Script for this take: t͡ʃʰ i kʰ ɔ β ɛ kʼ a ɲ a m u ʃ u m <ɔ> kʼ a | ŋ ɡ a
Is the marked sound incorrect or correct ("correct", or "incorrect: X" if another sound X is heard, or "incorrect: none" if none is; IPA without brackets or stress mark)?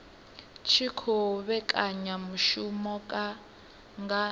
correct